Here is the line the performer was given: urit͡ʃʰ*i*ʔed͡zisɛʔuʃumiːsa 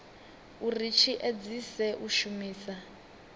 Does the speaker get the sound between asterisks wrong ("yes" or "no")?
no